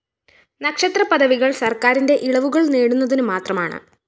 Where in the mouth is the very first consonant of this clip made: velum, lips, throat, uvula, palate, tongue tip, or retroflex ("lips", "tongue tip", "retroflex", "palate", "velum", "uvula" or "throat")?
tongue tip